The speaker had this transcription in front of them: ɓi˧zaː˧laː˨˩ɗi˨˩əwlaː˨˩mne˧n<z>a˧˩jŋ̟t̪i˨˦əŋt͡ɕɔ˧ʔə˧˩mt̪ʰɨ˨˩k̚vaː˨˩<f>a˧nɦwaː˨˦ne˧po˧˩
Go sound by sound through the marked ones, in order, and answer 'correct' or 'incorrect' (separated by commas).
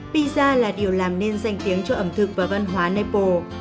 correct, incorrect